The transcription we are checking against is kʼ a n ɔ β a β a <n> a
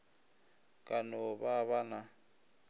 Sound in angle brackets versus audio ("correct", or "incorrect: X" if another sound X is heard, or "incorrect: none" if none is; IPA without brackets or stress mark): correct